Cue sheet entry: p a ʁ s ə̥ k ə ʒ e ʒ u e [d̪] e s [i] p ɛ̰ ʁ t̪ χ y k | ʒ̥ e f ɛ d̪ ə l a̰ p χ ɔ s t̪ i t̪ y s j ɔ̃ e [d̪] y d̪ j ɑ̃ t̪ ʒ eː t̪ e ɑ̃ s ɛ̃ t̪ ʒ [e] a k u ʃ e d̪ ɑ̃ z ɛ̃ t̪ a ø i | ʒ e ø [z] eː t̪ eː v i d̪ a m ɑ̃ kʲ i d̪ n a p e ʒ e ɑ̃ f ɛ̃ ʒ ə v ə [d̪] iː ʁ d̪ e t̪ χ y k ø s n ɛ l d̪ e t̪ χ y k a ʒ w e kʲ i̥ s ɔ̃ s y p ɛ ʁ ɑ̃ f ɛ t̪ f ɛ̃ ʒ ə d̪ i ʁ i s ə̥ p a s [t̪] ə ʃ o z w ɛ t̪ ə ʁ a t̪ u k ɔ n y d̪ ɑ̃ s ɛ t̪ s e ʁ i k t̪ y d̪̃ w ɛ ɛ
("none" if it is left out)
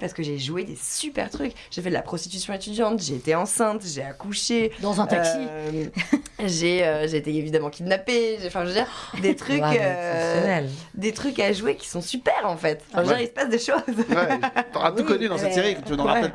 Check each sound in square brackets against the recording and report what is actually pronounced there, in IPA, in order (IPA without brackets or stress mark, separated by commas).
d̪, y, t̪, e, ʒ, d̪, d̪